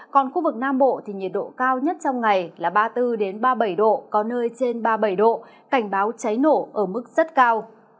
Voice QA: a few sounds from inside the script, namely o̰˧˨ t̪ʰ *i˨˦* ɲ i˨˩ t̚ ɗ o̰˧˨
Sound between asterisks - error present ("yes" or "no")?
yes